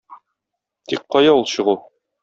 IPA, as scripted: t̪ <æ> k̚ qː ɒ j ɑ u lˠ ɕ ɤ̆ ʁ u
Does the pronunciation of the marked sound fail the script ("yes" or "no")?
yes